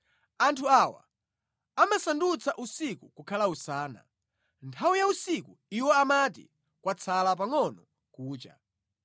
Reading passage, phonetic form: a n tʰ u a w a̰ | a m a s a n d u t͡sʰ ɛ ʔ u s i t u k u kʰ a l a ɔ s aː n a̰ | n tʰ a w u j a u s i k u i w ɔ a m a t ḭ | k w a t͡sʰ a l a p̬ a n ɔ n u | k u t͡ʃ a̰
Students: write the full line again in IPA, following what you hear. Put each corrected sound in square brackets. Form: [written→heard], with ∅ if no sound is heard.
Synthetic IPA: a n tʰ u a w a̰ | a m a s a n d u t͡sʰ [ɛ→a] ʔ u s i [t→k] u k u kʰ a l a [ɔ→u] s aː n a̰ | n tʰ a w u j a u s i k u i w ɔ a m a t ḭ | k w a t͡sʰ a l a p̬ a [n→ŋ] ɔ n [u→ɔ] | k [u→uː] t͡ʃ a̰